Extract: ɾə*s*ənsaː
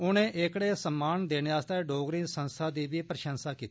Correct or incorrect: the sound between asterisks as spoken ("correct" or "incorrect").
incorrect